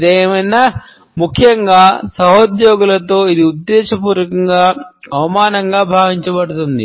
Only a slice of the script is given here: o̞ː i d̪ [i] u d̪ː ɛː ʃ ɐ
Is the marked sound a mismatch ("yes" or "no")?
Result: no